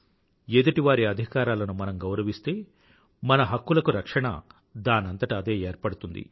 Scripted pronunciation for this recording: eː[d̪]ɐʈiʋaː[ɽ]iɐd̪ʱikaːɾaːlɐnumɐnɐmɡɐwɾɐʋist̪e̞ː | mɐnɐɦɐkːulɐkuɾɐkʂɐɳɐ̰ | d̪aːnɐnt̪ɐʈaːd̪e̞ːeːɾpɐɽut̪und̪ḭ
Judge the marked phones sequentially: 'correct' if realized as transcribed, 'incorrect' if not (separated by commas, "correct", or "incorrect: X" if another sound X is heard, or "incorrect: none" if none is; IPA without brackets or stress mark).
correct, incorrect: ɾ